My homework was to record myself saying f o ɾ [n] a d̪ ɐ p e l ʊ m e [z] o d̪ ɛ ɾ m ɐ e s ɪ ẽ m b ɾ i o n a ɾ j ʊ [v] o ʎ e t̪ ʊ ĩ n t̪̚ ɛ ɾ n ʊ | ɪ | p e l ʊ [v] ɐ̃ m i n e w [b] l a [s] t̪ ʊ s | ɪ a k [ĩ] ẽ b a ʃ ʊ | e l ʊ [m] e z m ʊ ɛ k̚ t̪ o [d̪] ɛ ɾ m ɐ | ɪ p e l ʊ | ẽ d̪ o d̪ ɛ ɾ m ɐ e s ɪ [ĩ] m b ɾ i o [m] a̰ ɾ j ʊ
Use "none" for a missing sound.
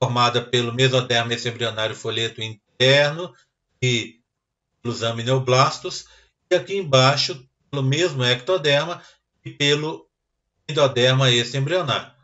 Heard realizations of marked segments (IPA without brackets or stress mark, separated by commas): m, z, f, z, b, s, i, m, d̪, ẽ, n